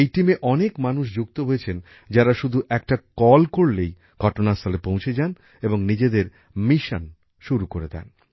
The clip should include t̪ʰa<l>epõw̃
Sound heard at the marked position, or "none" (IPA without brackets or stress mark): l